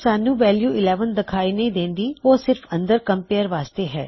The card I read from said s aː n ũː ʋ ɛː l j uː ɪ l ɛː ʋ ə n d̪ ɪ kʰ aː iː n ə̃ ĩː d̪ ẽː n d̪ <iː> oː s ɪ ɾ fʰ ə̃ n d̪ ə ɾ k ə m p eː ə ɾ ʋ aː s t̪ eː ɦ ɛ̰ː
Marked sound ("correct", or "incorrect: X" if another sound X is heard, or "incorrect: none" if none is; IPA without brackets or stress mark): correct